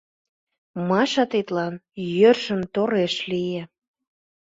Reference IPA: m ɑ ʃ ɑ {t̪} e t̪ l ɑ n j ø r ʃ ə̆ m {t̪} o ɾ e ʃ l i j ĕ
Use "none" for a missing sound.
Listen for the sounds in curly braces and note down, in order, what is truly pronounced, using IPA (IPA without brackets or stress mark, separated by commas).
t̪, t̪